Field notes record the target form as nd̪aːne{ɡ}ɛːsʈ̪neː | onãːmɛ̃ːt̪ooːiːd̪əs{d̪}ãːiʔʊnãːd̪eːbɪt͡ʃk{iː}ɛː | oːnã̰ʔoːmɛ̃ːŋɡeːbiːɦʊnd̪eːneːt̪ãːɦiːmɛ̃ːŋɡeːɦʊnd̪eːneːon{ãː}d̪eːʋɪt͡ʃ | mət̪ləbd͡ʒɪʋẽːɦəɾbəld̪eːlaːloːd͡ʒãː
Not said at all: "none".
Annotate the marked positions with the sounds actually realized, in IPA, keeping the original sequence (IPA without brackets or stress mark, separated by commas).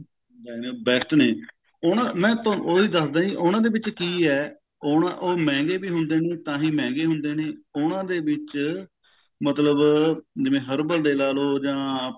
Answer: b, d̪, iː, ãː